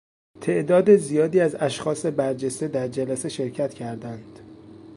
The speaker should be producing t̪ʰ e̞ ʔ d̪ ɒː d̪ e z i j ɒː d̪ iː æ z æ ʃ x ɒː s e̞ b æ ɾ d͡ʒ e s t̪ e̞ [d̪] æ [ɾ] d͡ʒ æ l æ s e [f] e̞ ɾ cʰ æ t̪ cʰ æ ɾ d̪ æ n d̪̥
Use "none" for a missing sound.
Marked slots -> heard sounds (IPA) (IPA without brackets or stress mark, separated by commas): d̪, ɾ, ʃ